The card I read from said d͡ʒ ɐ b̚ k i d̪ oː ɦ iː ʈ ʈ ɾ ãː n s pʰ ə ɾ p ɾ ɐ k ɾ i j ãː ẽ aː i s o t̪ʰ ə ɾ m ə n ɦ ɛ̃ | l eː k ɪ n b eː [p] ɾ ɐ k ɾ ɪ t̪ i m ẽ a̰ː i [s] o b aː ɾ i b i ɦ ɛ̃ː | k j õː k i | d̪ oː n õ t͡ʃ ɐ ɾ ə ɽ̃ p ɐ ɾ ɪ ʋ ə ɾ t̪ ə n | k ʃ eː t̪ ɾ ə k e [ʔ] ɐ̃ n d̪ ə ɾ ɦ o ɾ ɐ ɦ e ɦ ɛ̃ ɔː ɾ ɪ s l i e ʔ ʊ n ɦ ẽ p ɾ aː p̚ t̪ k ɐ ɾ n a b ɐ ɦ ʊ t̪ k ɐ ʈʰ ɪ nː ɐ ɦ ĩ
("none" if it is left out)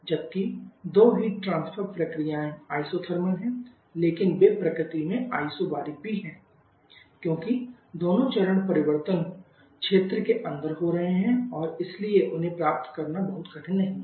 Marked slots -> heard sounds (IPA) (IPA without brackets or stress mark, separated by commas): p, s, ʔ